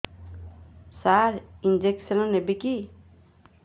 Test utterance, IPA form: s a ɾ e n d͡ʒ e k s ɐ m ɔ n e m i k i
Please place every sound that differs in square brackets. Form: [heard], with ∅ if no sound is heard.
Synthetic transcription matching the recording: s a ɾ [i] n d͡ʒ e k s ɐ [n] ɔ n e [b] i k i